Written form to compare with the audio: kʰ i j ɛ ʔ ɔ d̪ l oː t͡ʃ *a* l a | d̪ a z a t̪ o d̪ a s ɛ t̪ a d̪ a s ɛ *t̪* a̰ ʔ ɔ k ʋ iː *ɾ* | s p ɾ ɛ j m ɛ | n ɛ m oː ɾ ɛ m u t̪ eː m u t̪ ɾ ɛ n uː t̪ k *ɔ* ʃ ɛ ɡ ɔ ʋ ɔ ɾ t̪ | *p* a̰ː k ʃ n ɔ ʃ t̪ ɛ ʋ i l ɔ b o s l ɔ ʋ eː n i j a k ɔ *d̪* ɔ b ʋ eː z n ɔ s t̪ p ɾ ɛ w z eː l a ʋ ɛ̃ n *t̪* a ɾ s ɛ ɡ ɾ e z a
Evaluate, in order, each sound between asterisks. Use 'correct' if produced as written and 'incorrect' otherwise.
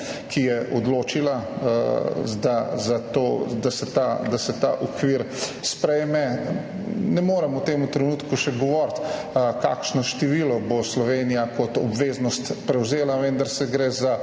incorrect, correct, correct, incorrect, incorrect, incorrect, incorrect

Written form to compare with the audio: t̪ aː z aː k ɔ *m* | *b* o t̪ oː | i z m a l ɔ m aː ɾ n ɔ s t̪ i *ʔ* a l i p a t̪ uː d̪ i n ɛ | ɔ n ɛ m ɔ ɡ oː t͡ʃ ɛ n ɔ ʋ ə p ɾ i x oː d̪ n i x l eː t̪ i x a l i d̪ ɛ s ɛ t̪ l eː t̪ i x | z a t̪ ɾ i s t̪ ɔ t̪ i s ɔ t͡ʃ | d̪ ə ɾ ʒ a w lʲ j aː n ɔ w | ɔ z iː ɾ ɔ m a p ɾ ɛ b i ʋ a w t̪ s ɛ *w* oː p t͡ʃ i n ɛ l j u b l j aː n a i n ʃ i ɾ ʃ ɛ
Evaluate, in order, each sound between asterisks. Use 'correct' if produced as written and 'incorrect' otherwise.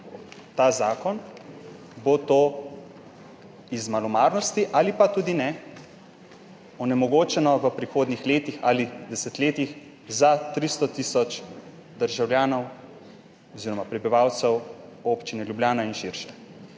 incorrect, correct, correct, correct

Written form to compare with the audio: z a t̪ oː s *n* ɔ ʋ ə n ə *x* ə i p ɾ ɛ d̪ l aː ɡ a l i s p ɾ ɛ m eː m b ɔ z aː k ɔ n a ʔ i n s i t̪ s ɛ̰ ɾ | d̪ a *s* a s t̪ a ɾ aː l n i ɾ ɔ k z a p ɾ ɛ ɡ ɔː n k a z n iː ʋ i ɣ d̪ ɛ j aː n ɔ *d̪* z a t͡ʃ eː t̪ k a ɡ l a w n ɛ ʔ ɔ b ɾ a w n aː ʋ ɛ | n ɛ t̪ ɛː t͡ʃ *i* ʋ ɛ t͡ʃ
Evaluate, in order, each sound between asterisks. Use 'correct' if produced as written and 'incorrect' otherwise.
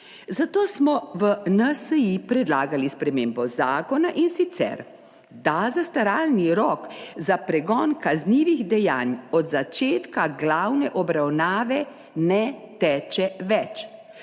incorrect, incorrect, incorrect, correct, incorrect

